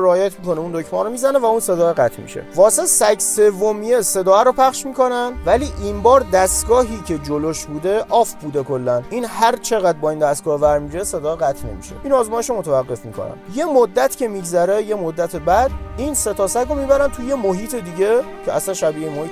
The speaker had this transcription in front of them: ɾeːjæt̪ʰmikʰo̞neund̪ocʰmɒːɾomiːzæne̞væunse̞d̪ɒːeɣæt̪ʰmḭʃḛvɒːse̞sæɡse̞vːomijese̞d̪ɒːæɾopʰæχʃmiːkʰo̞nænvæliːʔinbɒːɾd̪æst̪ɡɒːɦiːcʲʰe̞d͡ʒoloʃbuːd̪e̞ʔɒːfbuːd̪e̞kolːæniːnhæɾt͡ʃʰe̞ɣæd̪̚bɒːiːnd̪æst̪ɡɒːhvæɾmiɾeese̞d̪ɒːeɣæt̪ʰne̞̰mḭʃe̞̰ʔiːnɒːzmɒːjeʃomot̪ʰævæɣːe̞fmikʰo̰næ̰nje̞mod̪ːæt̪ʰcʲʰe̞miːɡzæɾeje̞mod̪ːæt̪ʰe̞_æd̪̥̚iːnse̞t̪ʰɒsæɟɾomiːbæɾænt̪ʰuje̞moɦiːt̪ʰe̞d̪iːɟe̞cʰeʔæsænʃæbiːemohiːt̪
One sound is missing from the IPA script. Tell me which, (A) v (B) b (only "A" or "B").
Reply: B